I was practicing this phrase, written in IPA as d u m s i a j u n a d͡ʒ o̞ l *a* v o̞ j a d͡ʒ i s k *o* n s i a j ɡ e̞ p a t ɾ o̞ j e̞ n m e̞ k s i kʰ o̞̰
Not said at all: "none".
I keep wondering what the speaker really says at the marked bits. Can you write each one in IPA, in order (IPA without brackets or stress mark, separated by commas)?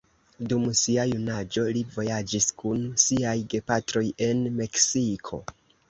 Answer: i, u